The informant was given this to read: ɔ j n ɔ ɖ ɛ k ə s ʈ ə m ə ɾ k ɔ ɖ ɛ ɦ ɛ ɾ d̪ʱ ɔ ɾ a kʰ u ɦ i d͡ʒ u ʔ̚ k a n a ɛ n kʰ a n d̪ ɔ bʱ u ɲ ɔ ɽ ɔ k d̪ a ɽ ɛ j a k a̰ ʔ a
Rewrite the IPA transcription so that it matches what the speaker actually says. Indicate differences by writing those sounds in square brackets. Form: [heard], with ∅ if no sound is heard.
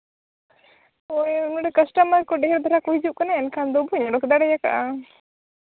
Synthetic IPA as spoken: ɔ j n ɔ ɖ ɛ k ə s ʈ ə m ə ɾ k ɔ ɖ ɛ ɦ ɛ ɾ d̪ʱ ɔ ɾ a [k] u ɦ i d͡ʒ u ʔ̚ k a n a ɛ n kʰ a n d̪ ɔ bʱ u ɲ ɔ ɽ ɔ k d̪ a ɽ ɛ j a k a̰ ʔ a